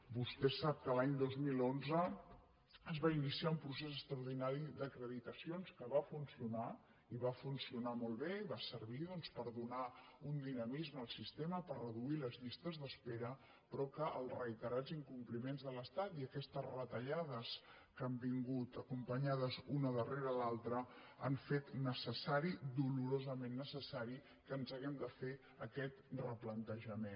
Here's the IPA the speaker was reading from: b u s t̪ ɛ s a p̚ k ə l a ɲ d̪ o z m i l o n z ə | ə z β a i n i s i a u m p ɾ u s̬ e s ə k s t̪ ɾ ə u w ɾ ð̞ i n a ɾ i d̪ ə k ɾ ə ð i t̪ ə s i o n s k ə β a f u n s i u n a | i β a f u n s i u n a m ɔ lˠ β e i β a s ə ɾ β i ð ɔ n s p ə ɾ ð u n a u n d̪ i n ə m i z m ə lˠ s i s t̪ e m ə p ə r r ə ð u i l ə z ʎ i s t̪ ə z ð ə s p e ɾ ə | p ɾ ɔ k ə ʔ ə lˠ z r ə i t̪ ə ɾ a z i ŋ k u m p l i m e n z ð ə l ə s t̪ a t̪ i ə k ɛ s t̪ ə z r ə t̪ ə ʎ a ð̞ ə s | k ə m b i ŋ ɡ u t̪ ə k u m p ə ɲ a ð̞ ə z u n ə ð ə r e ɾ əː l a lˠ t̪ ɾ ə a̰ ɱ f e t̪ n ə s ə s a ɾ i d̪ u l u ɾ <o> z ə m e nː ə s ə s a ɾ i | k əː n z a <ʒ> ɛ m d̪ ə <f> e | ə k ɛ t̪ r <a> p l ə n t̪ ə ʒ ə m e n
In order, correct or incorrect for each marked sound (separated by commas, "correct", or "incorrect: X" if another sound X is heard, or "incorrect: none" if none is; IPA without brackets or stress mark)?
correct, incorrect: ɣ, correct, incorrect: ə